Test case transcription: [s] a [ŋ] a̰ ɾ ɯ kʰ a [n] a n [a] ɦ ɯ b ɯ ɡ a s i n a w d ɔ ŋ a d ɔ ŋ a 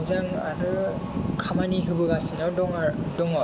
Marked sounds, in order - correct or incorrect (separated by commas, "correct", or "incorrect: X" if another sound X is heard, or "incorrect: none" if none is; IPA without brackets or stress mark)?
incorrect: z, correct, incorrect: m, incorrect: i